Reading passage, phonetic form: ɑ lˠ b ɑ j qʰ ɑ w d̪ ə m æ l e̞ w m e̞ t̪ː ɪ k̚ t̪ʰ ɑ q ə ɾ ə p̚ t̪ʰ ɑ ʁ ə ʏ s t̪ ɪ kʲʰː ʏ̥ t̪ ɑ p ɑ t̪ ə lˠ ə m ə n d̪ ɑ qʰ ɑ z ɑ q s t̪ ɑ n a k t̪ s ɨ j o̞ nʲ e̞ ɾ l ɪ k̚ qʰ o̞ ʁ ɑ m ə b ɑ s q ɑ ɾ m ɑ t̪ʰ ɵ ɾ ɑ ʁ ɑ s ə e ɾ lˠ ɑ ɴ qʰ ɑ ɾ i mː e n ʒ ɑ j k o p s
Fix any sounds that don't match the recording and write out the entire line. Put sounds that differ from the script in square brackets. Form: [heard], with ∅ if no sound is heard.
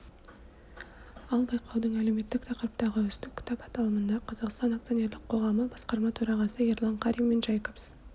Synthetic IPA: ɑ lˠ b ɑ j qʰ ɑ w d̪ ə [ɴ] æ l e̞ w m e̞ t̪ː ɪ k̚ t̪ʰ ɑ q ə ɾ ə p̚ [t̪] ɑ ʁ ə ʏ s t̪ ɪ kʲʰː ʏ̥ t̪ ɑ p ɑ t̪ [ɑ] lˠ ə m ə n d̪ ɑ qʰ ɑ z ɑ q s t̪ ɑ n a k t̪ s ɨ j o̞ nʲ e̞ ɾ l ɪ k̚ qʰ o̞ ʁ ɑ m ə b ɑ s q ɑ ɾ m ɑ t̪ʰ ɵ ɾ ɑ ʁ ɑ s ə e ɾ lˠ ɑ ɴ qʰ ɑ ɾ i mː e n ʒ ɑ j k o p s